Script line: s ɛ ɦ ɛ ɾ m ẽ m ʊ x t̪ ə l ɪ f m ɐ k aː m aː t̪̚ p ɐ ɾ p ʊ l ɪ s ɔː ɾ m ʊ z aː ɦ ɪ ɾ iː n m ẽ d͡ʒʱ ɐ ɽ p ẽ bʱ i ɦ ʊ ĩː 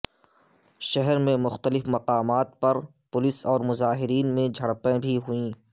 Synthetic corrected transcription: ʃ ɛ ɦ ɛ ɾ m ẽ m ʊ x t̪ ə l ɪ f m ɐ q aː m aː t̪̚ p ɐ ɾ p ʊ l ɪ s ɔː ɾ m ʊ z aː ɦ ɪ ɾ iː n m ẽ d͡ʒʱ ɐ ɽ p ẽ bʱ i ɦ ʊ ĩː